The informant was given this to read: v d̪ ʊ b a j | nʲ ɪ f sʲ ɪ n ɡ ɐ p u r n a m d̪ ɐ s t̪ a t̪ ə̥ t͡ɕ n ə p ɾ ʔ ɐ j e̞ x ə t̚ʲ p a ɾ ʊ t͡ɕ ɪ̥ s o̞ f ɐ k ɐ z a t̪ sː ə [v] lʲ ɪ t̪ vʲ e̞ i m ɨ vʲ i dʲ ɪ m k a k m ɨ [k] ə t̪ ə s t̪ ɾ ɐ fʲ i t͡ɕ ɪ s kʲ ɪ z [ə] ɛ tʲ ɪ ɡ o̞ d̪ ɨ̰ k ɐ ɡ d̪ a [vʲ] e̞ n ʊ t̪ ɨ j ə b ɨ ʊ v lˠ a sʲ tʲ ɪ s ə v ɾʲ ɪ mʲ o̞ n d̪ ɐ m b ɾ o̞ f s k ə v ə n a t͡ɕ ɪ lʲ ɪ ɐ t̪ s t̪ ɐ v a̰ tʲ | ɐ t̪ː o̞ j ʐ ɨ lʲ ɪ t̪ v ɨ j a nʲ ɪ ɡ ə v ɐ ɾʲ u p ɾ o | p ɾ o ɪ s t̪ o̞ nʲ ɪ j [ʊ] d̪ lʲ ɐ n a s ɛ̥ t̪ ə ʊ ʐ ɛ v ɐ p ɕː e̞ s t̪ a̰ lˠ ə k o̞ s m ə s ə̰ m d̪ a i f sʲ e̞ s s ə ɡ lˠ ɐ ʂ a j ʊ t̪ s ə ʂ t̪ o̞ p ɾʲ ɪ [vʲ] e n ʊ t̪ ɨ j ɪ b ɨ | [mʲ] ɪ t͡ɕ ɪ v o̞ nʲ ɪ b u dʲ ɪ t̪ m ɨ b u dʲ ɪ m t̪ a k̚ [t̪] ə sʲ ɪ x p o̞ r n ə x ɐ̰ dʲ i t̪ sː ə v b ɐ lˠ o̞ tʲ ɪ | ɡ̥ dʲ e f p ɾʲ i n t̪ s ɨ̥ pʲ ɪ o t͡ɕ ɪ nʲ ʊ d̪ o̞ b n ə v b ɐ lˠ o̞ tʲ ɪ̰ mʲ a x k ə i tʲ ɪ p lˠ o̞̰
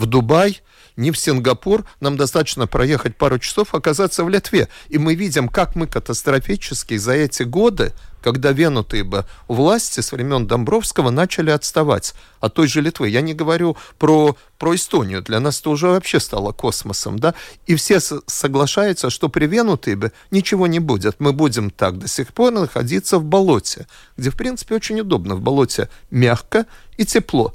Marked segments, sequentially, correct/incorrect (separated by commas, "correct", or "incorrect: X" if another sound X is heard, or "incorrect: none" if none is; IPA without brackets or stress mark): correct, correct, incorrect: ɐ, correct, correct, correct, incorrect: nʲ, incorrect: d̪